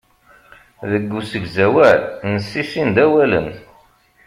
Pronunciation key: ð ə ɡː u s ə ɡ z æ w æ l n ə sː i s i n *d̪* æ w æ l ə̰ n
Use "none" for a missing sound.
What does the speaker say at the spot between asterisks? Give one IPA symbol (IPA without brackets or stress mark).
d̪